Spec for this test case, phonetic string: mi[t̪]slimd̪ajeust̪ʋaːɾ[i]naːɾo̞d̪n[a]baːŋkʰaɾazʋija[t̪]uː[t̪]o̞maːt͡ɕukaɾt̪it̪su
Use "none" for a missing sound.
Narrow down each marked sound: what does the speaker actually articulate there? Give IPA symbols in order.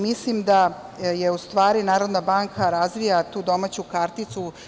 none, i, a, t̪, d̪

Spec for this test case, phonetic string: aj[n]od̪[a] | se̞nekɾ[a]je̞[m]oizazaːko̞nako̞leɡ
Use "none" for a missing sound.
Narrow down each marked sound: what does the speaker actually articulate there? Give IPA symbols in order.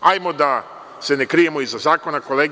m, a, i, m

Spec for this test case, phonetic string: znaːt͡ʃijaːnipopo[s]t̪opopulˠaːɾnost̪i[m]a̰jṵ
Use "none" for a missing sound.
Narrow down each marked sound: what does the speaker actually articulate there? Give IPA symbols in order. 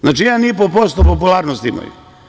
s, m

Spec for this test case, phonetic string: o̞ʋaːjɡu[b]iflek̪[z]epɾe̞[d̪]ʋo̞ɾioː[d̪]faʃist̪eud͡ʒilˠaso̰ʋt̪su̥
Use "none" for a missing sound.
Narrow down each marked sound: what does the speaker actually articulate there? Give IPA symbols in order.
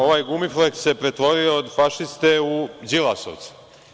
m, s, t̪, d̪

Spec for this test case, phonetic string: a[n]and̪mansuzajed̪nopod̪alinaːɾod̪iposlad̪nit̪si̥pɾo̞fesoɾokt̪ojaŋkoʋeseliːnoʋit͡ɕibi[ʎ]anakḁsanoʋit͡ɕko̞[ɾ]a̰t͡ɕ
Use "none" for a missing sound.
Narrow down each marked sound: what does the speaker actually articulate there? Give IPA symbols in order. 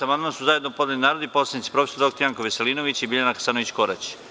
m, ʎ, ɾ

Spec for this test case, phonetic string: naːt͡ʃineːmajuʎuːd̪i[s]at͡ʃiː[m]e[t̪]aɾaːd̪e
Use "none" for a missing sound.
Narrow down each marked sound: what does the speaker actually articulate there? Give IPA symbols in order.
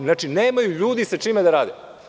s, m, d̪

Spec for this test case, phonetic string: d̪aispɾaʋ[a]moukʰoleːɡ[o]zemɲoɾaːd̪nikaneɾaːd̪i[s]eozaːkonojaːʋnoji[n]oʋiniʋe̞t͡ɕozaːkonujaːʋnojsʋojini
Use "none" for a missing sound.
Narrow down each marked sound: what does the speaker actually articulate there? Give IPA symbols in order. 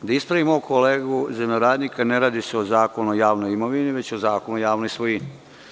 i, u, s, m

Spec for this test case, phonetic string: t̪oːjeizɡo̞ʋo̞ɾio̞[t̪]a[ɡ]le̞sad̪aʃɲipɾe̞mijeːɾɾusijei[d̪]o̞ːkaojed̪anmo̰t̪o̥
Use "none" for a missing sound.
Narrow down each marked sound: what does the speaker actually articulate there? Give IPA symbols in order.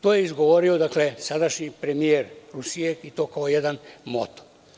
d̪, k, t̪

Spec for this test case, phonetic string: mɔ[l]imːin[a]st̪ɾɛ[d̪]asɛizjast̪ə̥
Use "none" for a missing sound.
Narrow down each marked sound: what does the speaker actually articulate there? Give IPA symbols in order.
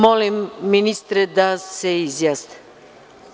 l, i, d̪

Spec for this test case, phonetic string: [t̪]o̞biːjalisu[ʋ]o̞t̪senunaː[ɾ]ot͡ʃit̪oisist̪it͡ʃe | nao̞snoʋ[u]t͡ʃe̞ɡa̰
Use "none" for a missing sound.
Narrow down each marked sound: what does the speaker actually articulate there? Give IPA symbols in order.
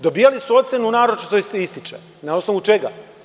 d̪, none, ɾ, u

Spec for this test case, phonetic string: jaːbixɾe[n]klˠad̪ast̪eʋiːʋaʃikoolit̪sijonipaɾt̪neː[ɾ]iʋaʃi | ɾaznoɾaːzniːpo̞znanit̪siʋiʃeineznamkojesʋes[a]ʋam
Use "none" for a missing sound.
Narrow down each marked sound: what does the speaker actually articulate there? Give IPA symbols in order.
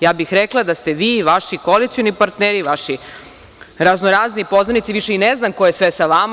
none, ɾ, a

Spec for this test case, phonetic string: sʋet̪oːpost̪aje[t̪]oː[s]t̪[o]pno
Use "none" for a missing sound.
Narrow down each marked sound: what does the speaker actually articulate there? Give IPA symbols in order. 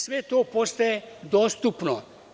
d̪, s, u

